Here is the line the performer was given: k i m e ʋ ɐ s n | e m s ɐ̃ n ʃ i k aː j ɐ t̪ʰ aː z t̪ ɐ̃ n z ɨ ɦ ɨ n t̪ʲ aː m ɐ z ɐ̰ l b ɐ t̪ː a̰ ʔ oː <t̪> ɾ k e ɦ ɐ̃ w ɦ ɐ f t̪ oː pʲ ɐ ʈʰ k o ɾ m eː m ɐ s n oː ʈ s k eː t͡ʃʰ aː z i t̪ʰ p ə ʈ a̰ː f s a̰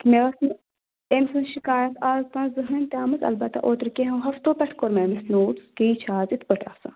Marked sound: correct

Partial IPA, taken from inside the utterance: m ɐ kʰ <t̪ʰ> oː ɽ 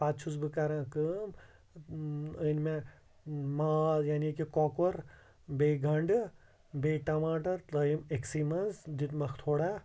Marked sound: correct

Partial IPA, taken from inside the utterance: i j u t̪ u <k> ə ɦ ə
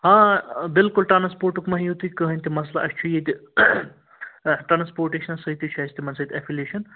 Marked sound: correct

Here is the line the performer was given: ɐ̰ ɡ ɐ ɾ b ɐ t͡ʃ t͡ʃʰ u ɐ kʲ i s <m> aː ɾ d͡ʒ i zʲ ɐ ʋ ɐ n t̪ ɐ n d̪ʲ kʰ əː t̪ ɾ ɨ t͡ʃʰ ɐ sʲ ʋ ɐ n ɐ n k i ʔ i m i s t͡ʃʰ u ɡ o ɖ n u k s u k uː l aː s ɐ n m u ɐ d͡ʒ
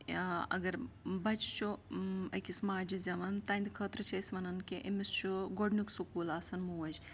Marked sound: correct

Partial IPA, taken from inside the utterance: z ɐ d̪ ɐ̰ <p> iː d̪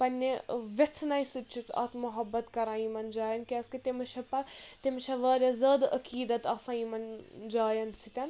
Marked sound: incorrect: k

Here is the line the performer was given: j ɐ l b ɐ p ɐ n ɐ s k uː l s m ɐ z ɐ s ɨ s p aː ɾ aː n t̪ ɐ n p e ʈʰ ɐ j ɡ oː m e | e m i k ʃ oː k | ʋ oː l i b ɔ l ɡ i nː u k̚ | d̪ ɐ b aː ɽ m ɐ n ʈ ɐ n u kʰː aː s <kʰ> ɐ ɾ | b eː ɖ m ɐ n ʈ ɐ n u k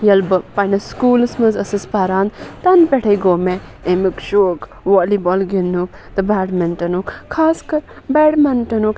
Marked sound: incorrect: k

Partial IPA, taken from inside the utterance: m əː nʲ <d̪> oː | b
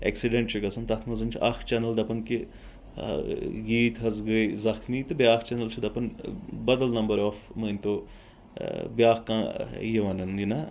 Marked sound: incorrect: t̪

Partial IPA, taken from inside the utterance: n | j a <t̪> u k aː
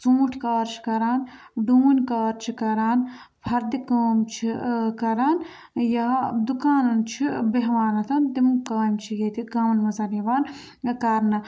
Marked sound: incorrect: d̪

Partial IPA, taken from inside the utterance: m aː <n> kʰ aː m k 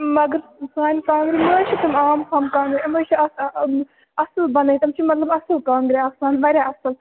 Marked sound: incorrect: m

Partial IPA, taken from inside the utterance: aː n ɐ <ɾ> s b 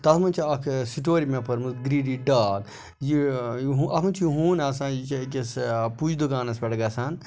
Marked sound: incorrect: none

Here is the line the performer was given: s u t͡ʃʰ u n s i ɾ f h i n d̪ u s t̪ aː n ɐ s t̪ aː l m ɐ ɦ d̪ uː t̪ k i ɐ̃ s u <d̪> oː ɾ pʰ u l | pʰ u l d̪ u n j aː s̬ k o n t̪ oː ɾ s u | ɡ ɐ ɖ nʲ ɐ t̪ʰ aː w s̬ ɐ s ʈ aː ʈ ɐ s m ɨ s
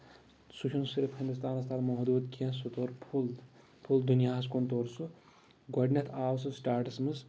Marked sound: incorrect: t̪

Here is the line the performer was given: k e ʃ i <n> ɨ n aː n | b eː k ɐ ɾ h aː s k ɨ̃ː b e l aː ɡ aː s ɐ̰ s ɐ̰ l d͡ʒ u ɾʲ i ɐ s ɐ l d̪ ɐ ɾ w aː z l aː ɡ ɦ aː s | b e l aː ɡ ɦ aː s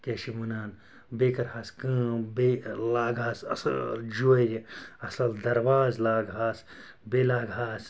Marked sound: incorrect: m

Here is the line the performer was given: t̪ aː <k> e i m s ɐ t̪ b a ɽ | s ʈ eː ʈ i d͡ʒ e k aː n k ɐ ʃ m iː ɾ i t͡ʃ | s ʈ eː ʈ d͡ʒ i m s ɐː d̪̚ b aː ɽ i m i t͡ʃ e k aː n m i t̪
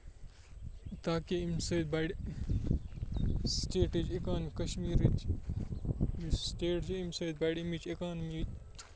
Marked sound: correct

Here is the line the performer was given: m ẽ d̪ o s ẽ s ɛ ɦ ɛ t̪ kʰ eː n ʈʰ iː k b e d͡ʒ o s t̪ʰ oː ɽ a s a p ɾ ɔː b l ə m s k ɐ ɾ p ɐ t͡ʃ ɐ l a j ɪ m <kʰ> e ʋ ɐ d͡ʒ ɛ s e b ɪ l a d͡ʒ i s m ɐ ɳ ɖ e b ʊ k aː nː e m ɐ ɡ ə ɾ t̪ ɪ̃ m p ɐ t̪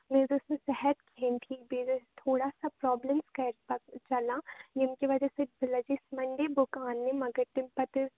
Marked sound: incorrect: k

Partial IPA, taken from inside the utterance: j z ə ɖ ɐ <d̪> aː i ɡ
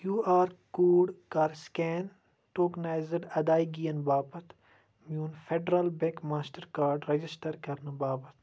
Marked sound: correct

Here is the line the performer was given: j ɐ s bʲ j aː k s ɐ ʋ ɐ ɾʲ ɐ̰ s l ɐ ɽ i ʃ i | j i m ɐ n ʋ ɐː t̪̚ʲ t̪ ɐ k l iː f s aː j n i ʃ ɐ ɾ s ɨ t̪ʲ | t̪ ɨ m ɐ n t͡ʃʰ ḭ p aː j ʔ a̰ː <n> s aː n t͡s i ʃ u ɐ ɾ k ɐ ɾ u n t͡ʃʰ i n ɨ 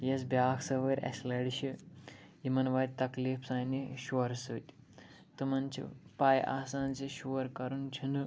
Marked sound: incorrect: none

